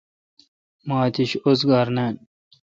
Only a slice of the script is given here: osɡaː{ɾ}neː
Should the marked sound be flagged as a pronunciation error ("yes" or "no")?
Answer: no